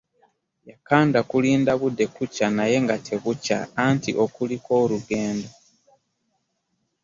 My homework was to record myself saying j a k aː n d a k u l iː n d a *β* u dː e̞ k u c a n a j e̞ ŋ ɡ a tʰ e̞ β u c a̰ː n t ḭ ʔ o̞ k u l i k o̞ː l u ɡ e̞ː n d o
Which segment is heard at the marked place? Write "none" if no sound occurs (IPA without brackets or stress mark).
β